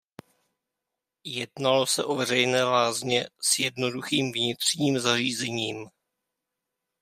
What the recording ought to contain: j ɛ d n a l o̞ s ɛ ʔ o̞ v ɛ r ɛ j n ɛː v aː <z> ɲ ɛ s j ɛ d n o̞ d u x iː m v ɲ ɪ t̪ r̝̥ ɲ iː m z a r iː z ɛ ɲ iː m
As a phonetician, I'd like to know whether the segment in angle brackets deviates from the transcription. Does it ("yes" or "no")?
no